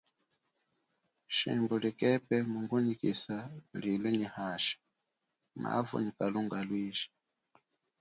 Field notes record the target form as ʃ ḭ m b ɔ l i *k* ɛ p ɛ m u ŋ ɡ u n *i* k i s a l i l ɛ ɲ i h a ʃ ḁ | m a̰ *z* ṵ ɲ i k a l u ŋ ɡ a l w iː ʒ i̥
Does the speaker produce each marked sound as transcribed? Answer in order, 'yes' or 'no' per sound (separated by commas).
yes, yes, no